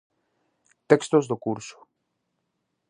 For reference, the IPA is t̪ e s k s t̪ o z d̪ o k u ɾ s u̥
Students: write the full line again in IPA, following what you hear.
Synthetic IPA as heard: t̪ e k s t̪ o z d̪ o k u ɾ s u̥

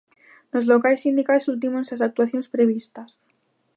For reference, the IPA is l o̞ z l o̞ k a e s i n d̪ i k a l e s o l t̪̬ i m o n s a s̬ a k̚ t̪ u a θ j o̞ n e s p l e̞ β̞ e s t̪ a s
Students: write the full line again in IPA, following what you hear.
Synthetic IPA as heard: l o̞ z l o̞ k a e s i n d̪ i k a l e s u l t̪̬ i m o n s a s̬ a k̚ t̪ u a θ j o̞ n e s p ɾ e̞ β̞ i s t̪ a s

